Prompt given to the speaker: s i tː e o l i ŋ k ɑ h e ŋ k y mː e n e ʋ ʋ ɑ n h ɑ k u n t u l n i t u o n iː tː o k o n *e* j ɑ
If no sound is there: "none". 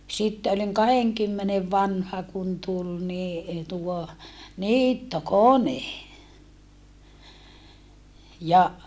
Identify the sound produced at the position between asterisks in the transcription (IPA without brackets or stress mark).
e